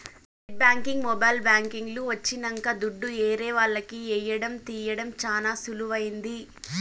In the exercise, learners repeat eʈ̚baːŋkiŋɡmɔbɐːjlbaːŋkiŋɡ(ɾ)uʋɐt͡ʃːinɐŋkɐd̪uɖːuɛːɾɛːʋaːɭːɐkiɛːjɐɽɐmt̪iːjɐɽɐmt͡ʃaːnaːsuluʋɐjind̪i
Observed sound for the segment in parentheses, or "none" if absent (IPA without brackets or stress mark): l